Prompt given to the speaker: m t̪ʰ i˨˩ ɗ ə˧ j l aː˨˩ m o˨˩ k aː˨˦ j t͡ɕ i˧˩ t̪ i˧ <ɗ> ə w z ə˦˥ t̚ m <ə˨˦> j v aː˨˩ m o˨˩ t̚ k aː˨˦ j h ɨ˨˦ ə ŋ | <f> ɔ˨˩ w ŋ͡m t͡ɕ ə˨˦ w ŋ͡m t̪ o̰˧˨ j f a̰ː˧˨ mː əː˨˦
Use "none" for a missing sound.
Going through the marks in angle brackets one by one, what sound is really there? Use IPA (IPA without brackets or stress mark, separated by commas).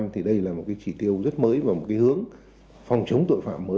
none, əː˨˦, f